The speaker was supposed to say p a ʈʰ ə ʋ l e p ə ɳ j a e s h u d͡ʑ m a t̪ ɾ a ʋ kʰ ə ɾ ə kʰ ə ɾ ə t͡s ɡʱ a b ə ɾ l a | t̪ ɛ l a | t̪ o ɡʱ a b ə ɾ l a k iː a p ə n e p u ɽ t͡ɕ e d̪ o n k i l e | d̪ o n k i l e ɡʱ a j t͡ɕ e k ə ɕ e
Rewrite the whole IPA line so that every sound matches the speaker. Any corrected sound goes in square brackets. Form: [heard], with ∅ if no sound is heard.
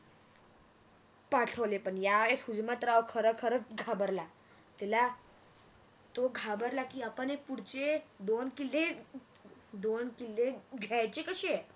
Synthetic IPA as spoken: p a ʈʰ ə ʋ l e p ə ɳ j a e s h u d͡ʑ m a t̪ ɾ a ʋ kʰ ə ɾ ə kʰ ə ɾ ə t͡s ɡʱ a b ə ɾ l a | t̪ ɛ l a | t̪ o ɡʱ a b ə ɾ l a k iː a p ə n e p u ɽ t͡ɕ e d̪ o n k i l e | d̪ o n k i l e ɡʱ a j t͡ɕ e k ə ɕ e